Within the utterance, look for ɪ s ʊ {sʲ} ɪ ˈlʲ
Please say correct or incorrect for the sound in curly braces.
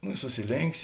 correct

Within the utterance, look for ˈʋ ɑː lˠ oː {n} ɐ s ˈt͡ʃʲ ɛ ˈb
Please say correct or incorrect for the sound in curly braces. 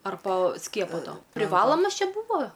incorrect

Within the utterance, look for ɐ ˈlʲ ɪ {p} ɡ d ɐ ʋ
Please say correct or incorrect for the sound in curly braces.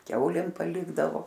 incorrect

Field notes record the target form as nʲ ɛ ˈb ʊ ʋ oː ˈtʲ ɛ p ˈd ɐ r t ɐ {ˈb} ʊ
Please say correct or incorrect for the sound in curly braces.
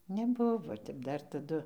incorrect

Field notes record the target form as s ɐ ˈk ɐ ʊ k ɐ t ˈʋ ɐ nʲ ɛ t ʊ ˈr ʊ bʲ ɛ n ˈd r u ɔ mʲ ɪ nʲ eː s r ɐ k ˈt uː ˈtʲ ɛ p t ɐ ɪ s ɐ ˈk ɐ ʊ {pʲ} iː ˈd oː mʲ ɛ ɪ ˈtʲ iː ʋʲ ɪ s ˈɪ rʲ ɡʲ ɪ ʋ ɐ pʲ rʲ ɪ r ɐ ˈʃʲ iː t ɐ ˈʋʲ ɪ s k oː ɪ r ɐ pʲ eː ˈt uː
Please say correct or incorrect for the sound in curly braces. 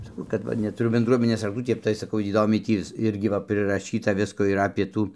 incorrect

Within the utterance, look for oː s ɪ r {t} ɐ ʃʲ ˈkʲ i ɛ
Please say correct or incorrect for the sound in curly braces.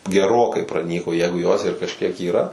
incorrect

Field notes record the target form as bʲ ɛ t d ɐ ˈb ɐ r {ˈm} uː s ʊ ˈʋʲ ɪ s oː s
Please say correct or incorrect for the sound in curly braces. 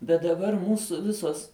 correct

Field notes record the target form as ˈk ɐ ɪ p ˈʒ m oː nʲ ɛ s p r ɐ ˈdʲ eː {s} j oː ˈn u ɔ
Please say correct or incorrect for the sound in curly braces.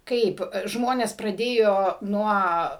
incorrect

